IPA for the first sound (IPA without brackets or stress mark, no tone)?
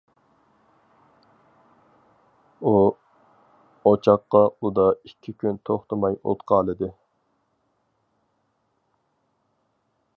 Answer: u